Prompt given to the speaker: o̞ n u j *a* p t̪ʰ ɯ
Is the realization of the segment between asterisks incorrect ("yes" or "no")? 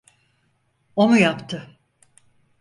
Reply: no